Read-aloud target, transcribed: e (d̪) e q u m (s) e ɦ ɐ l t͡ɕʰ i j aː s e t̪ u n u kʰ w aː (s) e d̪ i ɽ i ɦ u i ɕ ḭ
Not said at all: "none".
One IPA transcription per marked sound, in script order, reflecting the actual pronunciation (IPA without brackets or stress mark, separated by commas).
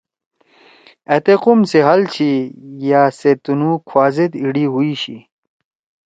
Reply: t̪, s, z